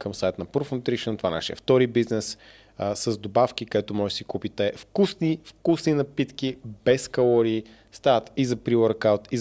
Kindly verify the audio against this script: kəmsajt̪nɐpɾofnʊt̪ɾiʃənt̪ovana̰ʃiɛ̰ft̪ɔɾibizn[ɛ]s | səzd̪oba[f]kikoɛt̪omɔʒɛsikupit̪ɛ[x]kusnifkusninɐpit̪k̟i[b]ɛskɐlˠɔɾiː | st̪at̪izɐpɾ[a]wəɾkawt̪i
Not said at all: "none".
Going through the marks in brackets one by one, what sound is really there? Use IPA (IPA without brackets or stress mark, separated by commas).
ɛ, f, f, b, i